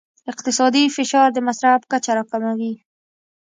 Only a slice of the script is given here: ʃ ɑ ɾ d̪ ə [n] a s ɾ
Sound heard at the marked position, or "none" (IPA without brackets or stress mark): m